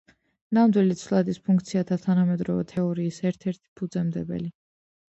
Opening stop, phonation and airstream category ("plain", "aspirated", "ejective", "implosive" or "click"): plain